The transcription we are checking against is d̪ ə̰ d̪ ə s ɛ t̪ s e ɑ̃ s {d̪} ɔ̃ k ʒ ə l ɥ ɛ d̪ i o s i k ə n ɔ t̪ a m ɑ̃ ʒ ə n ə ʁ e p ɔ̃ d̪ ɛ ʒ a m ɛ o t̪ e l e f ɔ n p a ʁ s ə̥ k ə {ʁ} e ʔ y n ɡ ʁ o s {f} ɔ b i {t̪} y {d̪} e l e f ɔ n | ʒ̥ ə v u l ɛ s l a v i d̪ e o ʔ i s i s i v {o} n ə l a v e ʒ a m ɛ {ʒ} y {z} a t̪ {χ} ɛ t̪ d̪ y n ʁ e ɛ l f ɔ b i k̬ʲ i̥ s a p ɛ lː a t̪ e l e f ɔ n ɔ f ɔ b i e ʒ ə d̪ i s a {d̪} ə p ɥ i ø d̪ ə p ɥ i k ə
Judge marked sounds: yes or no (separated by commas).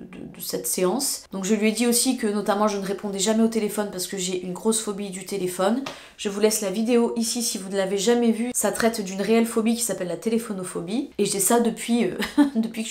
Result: yes, no, yes, no, no, no, no, no, yes, yes